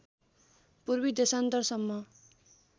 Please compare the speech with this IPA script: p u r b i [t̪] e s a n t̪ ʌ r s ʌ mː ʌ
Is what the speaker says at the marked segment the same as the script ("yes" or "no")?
no